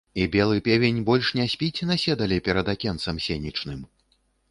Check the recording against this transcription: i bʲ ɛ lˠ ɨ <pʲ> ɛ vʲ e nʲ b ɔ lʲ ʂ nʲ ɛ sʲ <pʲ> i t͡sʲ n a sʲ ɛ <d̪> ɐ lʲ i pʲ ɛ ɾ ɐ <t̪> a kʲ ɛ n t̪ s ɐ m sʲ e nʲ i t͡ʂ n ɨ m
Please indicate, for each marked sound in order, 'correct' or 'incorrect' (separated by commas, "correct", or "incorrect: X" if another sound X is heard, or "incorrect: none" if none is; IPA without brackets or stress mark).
correct, correct, correct, incorrect: d̪